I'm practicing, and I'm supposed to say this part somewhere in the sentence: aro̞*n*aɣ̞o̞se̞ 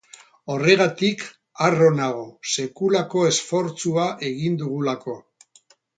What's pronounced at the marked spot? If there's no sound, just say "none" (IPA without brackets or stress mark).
n